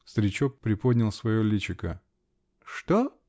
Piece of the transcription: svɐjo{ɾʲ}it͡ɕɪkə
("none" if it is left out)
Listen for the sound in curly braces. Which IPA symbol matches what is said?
lʲ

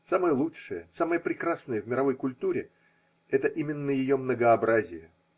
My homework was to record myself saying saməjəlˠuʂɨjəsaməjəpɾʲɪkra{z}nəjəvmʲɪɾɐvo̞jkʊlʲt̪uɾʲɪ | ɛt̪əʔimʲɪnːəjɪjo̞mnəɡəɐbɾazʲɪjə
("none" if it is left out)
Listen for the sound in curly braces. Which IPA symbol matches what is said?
s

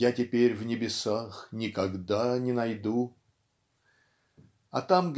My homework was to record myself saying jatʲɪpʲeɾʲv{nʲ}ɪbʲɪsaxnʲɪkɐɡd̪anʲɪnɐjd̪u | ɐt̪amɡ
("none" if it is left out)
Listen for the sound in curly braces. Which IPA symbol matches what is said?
nʲ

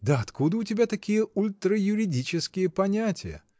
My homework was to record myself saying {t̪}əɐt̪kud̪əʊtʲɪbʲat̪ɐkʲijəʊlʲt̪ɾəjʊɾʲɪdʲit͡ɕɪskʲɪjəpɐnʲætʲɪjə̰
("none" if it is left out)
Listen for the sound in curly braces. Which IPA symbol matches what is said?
d̪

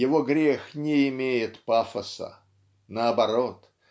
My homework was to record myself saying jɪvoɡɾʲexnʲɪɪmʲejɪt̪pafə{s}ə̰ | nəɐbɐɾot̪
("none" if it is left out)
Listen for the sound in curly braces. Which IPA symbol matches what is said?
s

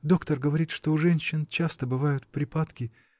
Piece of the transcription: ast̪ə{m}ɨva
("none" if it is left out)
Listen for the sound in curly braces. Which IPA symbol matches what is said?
b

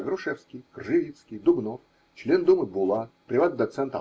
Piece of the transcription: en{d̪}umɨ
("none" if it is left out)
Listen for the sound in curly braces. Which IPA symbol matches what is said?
d̪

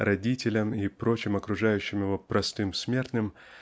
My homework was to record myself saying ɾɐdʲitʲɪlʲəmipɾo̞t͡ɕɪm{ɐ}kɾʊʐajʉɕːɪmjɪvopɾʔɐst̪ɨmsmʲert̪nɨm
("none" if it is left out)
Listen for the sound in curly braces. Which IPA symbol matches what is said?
ɐ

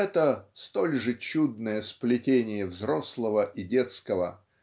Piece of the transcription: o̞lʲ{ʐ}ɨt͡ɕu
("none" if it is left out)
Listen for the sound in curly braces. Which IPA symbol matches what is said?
ʐ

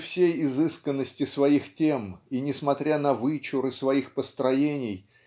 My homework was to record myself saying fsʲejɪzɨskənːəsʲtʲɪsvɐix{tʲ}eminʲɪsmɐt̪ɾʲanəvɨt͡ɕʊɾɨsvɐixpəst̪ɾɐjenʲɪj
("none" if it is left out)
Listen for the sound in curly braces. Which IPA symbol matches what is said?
tʲ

